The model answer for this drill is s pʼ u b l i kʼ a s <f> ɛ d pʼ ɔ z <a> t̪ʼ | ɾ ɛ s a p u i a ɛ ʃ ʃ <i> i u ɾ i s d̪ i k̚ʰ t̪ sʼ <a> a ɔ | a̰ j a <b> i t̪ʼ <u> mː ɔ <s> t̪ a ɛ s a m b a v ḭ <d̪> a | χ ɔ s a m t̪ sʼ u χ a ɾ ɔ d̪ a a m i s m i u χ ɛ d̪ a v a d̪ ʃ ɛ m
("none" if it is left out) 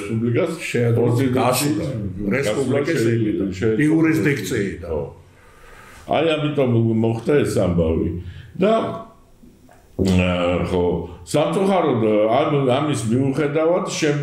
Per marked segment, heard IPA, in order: ʃ, i, ɛ, i, m, ɔ, χ, d̪

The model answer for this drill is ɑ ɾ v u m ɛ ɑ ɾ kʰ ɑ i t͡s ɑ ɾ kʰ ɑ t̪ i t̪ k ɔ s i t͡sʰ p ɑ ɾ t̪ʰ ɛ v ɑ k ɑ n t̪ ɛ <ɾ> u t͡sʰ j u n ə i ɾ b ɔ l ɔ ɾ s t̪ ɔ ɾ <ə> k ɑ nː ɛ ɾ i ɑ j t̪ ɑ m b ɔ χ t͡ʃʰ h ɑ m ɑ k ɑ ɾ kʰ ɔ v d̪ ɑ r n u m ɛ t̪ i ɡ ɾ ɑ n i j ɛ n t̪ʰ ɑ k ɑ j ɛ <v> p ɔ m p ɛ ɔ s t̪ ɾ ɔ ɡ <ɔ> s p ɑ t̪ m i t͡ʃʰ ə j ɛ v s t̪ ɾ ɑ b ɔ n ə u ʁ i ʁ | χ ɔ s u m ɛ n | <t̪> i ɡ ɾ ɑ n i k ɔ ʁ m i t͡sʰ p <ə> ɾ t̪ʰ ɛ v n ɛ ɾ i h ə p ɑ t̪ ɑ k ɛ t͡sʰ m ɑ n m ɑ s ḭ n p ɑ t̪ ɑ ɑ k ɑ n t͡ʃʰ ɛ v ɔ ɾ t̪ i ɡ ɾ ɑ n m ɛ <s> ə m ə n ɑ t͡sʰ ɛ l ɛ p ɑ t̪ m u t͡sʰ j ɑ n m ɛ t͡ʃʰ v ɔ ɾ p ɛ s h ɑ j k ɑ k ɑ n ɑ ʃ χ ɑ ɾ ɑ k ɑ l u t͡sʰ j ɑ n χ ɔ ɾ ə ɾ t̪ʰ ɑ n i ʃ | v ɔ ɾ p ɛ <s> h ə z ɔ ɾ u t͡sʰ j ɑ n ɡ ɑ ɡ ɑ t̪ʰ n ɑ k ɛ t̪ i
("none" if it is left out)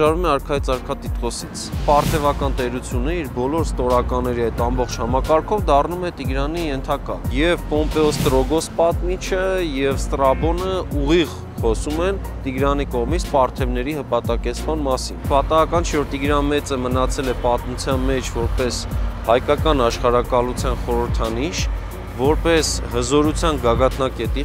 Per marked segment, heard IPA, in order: ɾ, ɑ, v, ɔ, t̪, ɑ, t͡s, s

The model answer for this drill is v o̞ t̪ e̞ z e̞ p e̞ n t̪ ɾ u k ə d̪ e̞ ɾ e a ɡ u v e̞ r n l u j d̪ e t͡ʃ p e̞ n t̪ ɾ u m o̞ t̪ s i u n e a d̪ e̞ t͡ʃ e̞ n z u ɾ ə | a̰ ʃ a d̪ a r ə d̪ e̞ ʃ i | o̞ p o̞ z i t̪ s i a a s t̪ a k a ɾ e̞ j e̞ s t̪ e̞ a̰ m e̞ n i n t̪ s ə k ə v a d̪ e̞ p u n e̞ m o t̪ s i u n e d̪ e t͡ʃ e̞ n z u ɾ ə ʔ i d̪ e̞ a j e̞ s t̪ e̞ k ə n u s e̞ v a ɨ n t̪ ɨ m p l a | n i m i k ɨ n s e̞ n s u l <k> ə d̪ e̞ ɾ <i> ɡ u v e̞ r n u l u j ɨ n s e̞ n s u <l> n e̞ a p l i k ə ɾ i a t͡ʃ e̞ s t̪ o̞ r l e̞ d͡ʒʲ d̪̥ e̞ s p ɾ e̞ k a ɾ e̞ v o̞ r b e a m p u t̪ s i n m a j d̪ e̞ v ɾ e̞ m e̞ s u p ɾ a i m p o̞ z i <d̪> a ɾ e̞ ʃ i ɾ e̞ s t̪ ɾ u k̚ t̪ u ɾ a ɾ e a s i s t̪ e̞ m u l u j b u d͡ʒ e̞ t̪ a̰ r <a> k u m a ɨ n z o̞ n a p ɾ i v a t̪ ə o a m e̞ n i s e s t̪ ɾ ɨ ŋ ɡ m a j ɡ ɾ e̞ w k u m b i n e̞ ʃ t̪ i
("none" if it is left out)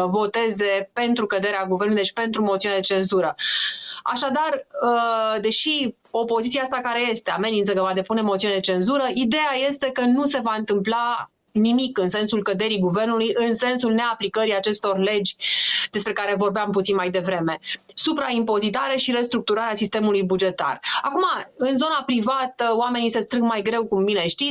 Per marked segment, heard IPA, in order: k, i, l, t̪, a

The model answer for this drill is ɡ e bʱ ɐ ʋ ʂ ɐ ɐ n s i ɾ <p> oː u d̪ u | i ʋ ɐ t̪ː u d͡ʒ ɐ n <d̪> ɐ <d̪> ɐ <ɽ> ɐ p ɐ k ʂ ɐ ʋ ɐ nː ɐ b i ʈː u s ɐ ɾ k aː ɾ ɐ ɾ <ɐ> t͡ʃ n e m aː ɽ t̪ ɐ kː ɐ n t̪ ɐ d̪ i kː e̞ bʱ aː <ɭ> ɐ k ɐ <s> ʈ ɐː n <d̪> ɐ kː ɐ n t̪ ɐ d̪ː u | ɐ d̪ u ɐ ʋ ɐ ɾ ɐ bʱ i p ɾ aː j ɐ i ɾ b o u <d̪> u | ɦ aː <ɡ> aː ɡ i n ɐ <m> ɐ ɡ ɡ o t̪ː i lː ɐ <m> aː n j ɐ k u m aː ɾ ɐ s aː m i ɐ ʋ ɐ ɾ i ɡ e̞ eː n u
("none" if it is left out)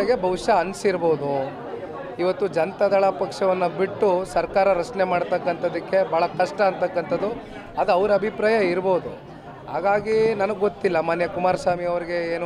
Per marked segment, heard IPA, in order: b, t̪, d̪, ɭ, ɐ, ɭ, ʂ, t̪, d̪, ɡ, n, m

